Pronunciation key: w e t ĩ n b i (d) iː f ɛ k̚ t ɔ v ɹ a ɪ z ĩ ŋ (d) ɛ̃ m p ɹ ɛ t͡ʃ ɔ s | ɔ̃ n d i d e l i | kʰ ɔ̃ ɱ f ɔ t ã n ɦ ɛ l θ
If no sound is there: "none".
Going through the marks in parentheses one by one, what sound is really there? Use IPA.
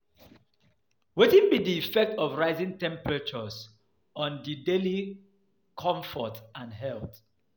d, t

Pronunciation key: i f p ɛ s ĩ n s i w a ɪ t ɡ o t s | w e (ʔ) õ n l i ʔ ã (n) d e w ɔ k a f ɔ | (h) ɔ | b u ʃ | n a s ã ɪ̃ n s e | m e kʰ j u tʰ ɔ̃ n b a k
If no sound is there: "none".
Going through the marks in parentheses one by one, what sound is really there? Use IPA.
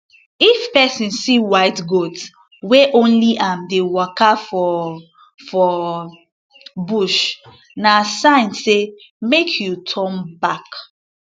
ʔ, m, f

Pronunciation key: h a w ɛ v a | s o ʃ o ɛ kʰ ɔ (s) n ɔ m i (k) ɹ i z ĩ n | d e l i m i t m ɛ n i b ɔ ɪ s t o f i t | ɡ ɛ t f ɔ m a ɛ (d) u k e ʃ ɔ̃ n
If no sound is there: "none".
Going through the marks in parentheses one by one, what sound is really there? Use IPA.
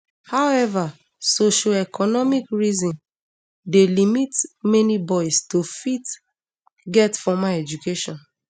none, k, d͡ʒ

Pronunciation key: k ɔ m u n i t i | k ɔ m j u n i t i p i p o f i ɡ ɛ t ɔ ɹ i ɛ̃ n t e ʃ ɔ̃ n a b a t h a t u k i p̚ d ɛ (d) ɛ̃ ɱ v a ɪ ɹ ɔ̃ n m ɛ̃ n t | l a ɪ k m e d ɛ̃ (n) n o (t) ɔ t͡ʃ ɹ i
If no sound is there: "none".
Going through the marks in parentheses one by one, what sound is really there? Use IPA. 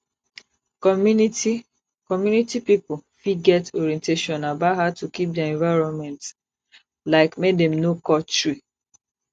none, m, k

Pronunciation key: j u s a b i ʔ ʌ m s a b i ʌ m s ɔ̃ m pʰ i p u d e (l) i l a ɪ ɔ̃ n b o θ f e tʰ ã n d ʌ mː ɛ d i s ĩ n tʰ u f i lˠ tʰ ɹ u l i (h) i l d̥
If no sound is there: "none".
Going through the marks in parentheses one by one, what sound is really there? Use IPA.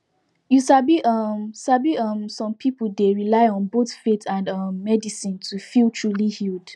ɹ, h

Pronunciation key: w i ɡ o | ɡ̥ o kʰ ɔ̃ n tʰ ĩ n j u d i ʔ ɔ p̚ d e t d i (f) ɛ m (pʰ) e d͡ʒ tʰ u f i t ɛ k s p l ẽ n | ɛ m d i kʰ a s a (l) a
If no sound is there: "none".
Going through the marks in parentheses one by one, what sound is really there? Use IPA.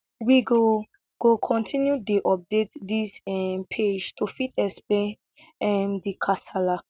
s, pʰ, l

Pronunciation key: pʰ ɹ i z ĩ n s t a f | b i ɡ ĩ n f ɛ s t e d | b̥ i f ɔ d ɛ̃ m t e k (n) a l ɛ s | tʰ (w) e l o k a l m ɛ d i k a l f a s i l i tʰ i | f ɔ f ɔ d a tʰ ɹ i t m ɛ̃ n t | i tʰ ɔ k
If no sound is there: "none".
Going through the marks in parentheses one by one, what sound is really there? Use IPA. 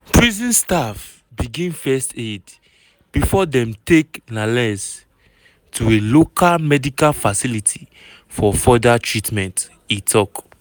n, u

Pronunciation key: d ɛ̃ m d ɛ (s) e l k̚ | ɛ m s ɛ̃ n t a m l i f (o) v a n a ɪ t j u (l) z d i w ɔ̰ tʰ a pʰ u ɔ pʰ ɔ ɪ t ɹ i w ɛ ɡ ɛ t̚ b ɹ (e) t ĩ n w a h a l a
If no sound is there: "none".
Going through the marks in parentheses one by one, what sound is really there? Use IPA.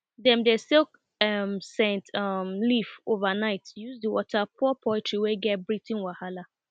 s, o, none, i

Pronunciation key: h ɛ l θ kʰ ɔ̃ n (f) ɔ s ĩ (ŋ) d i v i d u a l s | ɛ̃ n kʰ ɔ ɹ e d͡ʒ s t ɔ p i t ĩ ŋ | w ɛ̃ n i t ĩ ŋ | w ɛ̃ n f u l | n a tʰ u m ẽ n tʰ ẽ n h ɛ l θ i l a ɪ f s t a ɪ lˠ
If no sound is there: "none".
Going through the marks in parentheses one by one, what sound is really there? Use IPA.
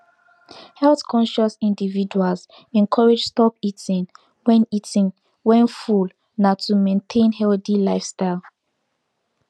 ʃ, n

